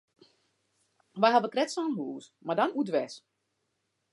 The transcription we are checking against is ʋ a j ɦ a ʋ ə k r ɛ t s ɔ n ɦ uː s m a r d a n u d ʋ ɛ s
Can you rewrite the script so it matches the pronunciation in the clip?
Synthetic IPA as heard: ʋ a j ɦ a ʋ ə k r ɛ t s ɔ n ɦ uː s m a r d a n u d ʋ ɛ s